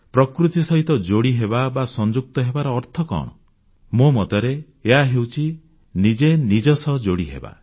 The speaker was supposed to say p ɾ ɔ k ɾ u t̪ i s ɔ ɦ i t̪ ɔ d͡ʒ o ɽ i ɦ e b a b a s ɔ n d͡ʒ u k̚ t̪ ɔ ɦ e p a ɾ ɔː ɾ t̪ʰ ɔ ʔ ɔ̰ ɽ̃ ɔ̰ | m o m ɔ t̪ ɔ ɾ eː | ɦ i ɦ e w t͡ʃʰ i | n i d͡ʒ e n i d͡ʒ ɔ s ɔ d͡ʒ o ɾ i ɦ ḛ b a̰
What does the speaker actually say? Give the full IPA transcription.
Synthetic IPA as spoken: p ɾ ɔ k ɾ u t̪ i s ɔ ɦ i t̪ ɔ d͡ʒ o ɽ i ɦ e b a b a s ɔ n d͡ʒ u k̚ t̪ ɔ ɦ e b a ɾ ɔː ɾ t̪ʰ ɔ k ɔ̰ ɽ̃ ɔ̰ | m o m ɔ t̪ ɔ ɾ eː | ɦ a ɦ e w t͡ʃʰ i | n i d͡ʒ e n i d͡ʒ ɔ s ɔ d͡ʒ o ɽ i ɦ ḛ b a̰